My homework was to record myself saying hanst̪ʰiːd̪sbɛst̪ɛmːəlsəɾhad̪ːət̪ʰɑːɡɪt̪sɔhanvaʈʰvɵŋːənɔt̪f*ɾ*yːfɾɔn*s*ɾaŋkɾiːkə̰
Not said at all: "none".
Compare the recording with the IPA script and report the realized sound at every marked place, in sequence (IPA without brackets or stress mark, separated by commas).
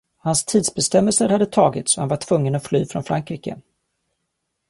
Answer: l, f